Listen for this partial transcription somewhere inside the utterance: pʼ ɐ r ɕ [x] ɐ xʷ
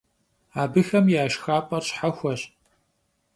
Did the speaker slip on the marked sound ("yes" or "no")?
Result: yes